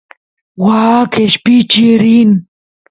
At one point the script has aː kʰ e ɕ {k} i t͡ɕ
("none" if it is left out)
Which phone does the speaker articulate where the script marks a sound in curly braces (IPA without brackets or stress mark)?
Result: p